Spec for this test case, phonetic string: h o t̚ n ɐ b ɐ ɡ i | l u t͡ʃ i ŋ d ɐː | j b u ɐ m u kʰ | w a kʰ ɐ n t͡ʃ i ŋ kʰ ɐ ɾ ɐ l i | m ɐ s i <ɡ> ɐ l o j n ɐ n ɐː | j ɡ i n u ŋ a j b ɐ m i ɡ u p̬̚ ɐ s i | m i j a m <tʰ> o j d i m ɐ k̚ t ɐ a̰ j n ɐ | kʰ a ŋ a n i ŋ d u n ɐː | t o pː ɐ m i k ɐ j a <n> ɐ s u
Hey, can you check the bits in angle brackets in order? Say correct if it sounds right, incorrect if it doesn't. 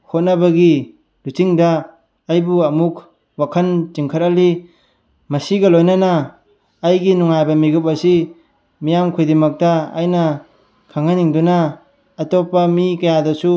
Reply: correct, incorrect: kʰ, incorrect: d

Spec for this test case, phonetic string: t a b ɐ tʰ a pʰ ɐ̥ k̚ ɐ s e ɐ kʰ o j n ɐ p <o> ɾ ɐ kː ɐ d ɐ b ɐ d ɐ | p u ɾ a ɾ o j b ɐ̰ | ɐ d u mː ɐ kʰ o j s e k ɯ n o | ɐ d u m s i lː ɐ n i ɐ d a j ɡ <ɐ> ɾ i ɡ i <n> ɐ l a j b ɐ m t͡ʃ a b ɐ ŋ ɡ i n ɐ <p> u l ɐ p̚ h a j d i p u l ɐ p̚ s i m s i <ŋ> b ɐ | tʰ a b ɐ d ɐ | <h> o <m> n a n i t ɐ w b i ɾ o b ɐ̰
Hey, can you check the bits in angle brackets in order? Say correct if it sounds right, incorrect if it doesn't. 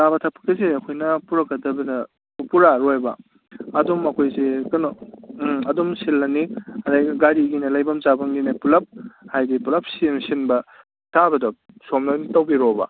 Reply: incorrect: u, incorrect: a, correct, correct, incorrect: n, incorrect: s, correct

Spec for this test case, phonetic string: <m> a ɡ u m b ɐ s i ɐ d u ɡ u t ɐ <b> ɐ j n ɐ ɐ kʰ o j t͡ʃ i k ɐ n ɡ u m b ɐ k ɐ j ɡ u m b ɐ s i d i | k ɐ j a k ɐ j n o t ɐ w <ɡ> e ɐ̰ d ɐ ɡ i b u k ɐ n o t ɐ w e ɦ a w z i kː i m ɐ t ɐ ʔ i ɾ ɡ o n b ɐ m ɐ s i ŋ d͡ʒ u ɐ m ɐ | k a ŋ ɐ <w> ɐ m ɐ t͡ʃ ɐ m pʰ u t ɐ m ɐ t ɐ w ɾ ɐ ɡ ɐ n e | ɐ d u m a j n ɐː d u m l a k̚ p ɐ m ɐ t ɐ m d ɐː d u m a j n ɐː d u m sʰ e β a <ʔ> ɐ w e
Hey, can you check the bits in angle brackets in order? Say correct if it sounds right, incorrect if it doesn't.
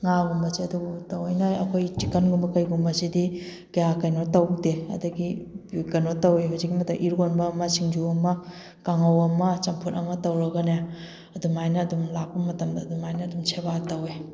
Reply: incorrect: ŋ, incorrect: w, incorrect: d, correct, incorrect: t

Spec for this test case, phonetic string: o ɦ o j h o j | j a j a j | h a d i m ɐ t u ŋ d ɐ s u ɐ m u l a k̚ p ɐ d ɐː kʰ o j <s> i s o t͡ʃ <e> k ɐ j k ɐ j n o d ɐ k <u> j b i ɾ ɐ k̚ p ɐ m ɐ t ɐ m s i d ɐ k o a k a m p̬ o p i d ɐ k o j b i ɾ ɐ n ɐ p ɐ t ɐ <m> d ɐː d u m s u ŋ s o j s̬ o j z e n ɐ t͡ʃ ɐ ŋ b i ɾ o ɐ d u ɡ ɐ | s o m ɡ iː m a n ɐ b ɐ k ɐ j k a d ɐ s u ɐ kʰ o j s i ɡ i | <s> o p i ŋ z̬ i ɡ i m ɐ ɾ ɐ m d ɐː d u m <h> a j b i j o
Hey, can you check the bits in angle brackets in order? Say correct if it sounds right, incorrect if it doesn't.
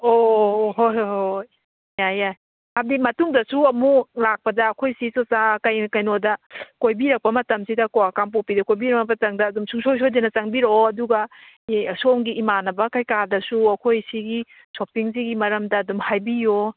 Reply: correct, incorrect: a, incorrect: o, incorrect: ŋ, correct, correct

